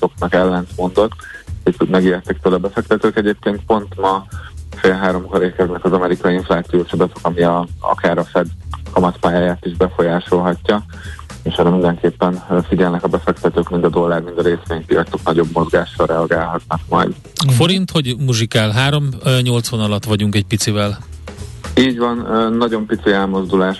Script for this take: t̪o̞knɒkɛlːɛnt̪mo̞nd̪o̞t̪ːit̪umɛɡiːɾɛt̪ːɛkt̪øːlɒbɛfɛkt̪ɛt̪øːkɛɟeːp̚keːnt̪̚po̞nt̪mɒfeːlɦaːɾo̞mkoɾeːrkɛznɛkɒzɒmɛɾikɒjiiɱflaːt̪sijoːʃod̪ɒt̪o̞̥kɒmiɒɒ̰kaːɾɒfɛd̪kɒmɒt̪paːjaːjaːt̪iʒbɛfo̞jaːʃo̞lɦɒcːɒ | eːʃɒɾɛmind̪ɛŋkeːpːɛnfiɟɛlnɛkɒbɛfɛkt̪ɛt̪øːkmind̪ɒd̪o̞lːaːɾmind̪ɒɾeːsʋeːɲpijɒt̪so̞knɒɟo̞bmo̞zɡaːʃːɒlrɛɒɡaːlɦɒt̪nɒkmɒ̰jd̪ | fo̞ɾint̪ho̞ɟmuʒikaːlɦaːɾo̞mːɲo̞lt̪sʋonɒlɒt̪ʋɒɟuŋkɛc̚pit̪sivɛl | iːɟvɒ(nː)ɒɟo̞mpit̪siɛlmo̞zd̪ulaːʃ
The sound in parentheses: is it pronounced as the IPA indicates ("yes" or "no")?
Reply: yes